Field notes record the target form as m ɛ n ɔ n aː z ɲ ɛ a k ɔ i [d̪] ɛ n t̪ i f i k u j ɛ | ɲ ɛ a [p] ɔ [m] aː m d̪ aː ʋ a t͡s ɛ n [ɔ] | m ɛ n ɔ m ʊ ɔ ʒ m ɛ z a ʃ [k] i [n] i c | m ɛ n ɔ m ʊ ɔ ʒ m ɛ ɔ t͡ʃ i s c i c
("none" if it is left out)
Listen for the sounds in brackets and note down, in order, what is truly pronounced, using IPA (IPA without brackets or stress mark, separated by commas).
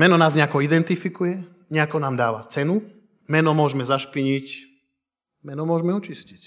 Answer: d̪, k, n, u, p, ɲ